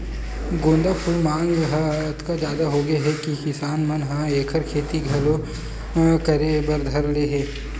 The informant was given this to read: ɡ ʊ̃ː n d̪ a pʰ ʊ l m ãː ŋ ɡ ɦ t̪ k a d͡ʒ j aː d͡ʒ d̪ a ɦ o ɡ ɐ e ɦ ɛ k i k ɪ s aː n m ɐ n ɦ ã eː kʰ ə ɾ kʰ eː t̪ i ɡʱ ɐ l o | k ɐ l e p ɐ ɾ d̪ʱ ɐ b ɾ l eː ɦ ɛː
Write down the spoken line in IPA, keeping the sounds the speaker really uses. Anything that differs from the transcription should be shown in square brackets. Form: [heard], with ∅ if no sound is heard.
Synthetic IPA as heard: ɡ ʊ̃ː n d̪ a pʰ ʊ l m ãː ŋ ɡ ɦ t̪ k a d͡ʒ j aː [∅] d̪ a ɦ o ɡ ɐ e ɦ ɛ k i k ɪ s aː n m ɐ n ɦ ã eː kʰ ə ɾ kʰ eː t̪ i ɡʱ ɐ l o | k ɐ [ɾ] e [b] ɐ ɾ d̪ʱ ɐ [∅] ɾ l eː ɦ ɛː